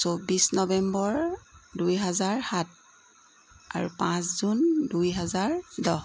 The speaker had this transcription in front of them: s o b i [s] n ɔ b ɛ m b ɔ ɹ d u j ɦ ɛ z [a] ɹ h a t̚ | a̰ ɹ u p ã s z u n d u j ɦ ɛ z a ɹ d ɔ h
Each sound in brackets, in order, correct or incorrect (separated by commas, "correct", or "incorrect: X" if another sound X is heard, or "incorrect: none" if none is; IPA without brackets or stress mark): correct, correct